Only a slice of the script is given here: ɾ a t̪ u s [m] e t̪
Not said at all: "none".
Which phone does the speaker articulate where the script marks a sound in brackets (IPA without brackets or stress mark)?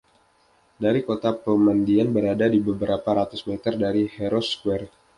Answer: m